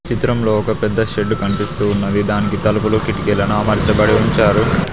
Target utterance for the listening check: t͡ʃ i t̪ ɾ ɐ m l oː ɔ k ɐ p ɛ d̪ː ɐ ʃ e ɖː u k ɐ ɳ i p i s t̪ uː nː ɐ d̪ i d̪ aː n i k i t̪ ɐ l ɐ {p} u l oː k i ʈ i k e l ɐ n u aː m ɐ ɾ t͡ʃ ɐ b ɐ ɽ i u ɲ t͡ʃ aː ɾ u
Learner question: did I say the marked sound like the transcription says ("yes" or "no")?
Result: yes